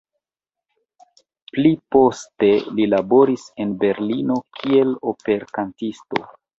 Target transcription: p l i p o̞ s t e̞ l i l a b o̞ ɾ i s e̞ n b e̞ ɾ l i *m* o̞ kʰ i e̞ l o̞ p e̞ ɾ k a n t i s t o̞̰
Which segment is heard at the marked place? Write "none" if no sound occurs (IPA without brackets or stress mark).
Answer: n